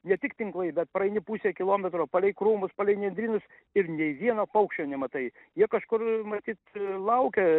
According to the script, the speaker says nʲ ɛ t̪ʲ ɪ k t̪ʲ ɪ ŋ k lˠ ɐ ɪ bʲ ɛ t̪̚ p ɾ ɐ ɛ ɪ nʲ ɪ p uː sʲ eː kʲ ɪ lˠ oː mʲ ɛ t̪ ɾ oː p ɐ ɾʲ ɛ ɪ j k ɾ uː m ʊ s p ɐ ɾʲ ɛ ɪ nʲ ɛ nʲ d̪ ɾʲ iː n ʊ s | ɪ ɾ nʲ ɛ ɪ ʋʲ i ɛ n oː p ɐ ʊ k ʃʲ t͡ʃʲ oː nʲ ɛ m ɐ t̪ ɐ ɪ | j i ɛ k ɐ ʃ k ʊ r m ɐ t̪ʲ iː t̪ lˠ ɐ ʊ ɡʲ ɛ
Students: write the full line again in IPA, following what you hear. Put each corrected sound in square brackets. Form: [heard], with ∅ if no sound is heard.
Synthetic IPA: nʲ ɛ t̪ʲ ɪ k t̪ʲ ɪ ŋ k lˠ ɐ ɪ bʲ ɛ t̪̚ p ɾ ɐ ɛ ɪ nʲ ɪ p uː sʲ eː kʲ ɪ lˠ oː mʲ ɛ t̪ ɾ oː p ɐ [lʲ] ɛ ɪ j k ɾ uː m ʊ s p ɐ [lʲ] ɛ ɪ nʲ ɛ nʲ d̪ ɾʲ iː n ʊ s | ɪ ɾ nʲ ɛ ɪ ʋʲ i ɛ n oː p ɐ ʊ k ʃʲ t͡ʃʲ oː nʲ ɛ m ɐ t̪ ɐ ɪ | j i ɛ k ɐ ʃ k ʊ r m ɐ t̪ʲ iː t̪ lˠ ɐ ʊ [kʲ] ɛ